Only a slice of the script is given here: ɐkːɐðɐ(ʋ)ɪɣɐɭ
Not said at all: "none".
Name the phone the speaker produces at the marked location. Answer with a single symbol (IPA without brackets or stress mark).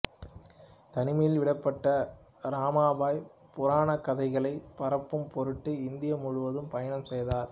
none